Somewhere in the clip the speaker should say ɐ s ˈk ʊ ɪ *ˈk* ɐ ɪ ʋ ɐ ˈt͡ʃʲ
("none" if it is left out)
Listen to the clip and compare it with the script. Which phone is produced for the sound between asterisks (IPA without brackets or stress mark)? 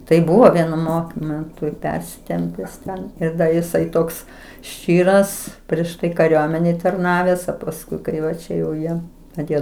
k